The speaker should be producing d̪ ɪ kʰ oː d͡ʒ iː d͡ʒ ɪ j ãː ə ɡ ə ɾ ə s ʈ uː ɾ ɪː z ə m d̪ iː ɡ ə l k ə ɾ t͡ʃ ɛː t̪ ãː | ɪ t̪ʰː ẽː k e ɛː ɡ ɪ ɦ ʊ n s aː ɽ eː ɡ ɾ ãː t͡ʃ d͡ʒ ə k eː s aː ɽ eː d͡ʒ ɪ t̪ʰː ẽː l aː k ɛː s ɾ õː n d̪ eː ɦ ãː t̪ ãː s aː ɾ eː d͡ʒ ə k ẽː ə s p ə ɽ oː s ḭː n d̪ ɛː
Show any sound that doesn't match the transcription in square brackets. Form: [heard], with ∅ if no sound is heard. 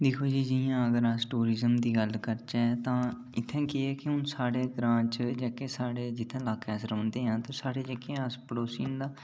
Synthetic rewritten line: d̪ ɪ kʰ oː d͡ʒ iː d͡ʒ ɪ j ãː ə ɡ ə ɾ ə s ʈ uː ɾ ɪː z ə m d̪ iː ɡ ə l k ə ɾ t͡ʃ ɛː t̪ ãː | ɪ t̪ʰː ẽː k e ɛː [k] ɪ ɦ ʊ n s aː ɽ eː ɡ ɾ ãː t͡ʃ d͡ʒ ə k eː s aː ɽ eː d͡ʒ ɪ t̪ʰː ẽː l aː k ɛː s ɾ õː n d̪ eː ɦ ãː t̪ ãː s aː [ɽ] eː d͡ʒ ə k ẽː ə s p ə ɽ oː s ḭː n d̪ [aː]